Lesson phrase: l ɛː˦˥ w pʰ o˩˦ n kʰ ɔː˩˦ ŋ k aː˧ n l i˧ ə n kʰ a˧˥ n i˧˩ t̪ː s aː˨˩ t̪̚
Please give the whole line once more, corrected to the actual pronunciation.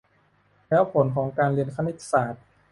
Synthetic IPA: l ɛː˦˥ w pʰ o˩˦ n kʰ ɔː˩˦ ŋ k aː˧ n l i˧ ə n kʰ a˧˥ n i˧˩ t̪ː s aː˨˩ t̪̚